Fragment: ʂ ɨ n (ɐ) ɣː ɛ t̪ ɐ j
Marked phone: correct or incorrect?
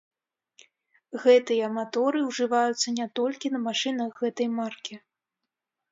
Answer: correct